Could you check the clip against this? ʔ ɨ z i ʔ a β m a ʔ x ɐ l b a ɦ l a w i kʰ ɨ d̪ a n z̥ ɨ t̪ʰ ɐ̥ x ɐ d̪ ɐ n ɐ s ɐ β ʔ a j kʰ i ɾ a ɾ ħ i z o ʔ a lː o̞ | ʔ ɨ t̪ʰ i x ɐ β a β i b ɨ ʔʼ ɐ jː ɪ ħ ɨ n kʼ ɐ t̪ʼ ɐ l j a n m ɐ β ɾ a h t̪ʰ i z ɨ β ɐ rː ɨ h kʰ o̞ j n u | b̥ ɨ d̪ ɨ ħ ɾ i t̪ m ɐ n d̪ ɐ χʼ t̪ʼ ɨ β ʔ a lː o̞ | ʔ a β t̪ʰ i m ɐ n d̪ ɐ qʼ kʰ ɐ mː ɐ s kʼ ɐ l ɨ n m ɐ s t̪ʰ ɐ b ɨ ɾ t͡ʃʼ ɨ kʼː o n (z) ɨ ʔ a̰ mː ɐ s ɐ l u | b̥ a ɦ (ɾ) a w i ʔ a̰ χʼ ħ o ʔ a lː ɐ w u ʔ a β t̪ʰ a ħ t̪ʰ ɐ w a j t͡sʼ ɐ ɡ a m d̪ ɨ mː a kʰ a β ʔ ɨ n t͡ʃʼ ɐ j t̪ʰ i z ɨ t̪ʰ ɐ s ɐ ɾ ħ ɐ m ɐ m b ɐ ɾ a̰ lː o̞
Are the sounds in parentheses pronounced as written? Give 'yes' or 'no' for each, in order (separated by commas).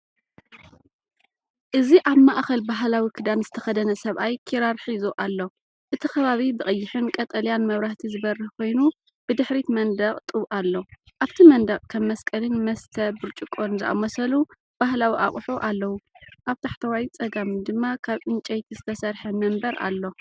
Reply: yes, no